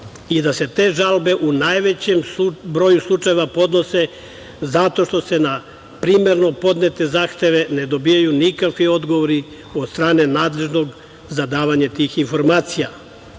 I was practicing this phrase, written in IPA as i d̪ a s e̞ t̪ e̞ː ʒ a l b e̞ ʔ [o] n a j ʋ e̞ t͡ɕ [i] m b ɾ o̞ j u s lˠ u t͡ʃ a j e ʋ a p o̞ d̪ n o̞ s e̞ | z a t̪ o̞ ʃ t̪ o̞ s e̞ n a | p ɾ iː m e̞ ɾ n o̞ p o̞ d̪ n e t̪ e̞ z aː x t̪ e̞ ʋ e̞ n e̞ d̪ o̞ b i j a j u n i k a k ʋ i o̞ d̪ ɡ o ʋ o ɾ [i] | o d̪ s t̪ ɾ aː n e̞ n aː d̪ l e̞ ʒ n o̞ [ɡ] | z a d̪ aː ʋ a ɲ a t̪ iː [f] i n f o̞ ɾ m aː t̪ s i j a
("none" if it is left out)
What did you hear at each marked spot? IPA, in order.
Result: u, e, i, ɡ, x

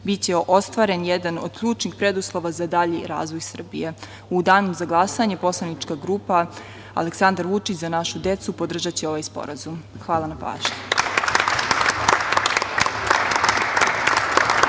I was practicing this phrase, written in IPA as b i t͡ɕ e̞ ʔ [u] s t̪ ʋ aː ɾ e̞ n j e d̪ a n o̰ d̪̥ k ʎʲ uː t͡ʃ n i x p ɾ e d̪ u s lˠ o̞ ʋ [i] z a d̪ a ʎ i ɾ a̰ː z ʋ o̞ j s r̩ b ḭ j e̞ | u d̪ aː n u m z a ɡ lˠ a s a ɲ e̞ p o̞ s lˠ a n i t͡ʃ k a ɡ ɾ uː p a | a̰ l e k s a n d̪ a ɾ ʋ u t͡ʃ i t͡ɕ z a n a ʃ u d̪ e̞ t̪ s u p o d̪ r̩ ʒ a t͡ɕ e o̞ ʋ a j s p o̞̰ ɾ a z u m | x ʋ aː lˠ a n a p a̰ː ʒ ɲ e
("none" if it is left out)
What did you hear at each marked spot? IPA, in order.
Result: o, a

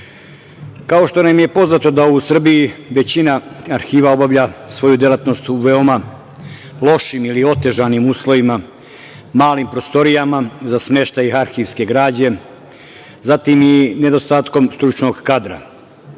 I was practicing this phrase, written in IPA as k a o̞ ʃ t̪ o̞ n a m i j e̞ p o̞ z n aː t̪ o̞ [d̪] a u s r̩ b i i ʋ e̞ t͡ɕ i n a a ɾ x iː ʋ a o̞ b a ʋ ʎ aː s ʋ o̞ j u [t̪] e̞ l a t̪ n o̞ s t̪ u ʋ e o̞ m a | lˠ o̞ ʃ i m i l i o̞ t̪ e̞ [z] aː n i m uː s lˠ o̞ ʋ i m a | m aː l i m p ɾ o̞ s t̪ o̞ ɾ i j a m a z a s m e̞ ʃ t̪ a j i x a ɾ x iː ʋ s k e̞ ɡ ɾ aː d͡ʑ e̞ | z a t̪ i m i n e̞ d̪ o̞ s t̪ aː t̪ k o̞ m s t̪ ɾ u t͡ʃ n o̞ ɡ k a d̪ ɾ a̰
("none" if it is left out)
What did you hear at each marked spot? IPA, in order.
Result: d̪, d̪, ʒ

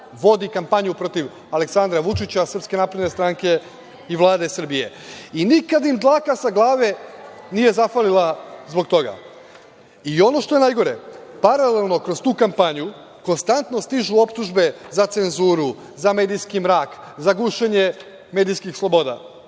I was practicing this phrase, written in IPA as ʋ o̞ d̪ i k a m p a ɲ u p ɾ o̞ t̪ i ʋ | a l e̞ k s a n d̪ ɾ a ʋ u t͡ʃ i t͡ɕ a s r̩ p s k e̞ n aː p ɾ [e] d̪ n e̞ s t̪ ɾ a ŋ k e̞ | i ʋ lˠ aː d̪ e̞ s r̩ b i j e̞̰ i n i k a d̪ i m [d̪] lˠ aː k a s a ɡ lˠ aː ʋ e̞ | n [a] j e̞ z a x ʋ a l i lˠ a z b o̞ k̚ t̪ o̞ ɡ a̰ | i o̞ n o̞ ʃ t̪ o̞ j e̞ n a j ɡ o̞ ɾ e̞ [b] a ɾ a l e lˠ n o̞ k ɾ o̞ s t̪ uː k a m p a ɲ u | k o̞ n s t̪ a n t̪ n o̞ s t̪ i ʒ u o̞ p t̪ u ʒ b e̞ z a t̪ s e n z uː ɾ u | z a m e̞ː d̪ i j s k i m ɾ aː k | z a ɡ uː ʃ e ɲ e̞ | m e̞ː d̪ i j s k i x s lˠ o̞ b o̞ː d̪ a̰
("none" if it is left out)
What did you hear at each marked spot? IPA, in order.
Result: e, d̪, i, p

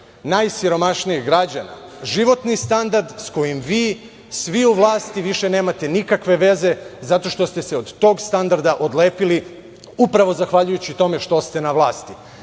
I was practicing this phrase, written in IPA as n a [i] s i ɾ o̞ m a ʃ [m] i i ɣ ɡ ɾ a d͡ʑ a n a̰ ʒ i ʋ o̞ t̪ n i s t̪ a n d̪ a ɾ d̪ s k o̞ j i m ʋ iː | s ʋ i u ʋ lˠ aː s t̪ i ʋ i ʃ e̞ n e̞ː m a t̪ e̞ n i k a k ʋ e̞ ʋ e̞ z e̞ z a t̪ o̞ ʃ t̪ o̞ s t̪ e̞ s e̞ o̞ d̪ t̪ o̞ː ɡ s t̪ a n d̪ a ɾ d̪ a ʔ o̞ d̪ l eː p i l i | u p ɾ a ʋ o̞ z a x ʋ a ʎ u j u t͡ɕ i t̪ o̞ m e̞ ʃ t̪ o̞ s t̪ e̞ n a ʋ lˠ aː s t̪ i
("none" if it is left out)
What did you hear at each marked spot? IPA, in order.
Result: j, n

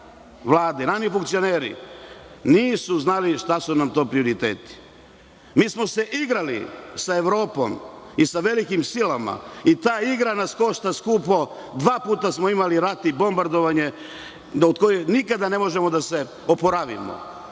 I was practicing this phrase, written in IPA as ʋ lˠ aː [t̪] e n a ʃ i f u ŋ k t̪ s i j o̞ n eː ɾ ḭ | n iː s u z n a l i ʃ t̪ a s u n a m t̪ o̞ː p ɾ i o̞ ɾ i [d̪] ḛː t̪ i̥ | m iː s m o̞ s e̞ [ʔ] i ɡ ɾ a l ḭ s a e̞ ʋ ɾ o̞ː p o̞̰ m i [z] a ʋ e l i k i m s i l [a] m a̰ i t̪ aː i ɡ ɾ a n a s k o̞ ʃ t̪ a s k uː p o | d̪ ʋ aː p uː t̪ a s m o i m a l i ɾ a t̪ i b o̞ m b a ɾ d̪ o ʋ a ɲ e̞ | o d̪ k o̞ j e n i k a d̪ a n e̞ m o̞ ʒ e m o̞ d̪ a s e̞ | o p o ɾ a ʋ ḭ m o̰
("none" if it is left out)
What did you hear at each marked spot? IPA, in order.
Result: d̪, t̪, ʔ, s, a

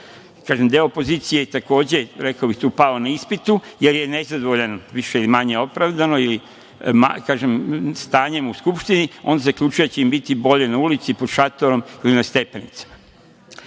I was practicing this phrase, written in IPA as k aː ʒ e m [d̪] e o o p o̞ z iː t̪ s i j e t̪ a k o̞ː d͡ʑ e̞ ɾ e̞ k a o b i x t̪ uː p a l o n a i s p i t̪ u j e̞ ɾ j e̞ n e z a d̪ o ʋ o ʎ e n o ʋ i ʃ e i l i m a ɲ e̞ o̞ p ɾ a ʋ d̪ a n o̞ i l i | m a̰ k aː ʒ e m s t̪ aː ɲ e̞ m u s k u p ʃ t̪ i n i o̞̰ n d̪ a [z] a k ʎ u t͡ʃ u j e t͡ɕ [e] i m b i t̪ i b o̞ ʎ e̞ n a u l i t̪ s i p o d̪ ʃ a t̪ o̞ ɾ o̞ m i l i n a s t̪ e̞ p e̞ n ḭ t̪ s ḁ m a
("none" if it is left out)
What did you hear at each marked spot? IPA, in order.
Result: d̪, z, e

